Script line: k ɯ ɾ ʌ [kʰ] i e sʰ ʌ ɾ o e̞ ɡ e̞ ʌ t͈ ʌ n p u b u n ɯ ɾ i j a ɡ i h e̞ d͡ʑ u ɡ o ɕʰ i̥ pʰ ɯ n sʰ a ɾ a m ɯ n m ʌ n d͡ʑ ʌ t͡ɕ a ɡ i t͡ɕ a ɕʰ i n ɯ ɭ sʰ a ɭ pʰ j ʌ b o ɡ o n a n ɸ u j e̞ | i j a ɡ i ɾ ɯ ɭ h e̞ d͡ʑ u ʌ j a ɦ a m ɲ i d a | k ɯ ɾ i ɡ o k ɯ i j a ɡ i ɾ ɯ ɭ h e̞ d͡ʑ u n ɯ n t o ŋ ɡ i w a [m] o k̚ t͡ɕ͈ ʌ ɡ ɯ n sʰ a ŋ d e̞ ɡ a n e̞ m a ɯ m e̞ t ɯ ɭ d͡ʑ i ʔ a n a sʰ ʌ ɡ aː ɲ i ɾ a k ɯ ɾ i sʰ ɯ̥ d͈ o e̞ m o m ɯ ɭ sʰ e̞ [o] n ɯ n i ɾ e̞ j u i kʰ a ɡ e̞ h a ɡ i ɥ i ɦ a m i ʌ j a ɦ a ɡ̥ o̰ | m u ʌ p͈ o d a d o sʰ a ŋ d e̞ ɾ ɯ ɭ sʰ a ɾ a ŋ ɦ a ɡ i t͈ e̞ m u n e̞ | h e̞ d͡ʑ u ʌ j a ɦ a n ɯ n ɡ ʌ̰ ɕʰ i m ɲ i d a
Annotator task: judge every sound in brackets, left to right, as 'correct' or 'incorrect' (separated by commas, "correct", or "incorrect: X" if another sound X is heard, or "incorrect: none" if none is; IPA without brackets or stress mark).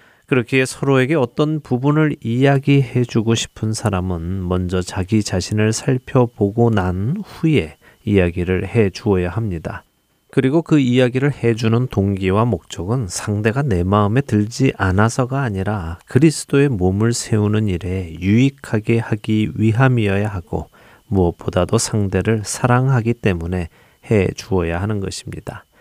correct, correct, incorrect: u